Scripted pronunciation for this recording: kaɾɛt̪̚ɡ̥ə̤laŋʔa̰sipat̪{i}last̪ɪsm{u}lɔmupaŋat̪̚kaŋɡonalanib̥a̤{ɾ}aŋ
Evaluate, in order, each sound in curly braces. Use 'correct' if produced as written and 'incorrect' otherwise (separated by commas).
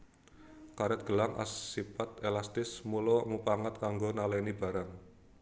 incorrect, correct, correct